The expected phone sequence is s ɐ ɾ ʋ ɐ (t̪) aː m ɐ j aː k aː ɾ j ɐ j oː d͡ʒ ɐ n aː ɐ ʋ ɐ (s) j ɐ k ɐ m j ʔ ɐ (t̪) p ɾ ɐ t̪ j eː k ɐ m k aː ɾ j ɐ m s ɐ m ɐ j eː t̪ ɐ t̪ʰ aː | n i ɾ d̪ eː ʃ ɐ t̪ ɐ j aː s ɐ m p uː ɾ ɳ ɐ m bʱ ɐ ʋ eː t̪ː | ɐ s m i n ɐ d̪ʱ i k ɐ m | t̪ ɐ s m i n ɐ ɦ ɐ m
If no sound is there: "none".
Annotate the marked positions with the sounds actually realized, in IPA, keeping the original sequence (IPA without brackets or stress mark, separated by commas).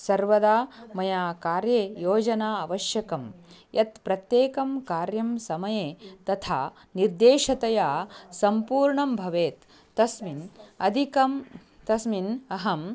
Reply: d̪, ʃ, t̪